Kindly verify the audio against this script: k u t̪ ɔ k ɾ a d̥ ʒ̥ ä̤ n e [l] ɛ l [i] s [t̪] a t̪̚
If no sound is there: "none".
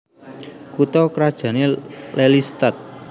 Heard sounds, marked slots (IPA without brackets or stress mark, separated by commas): l, i, t̪